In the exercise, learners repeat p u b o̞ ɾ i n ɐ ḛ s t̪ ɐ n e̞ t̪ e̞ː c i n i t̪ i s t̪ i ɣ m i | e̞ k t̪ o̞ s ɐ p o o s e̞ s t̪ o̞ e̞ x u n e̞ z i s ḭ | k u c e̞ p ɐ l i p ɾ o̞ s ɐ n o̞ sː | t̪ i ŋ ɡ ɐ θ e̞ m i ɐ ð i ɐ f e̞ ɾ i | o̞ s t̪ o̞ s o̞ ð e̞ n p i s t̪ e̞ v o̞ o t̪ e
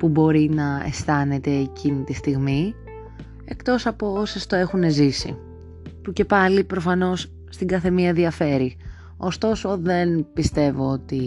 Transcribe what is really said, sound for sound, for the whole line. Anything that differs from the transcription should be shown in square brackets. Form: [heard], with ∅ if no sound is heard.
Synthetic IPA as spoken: p u b o̞ ɾ i n ɐ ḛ s t̪ ɐ n e̞ t̪ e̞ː c i n i t̪ i s t̪ i ɣ m i | e̞ k t̪ o̞ s ɐ p o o s e̞ s t̪ o̞ e̞ x u n e̞ z i s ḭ | [p] u c e̞ p ɐ l i p ɾ o̞ [f] ɐ n o̞ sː | t̪ i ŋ ɡ ɐ θ e̞ m i ɐ ð i ɐ f e̞ ɾ i | o̞ s t̪ o̞ s o̞ ð e̞ n p i s t̪ e̞ v o̞ o t̪ [i]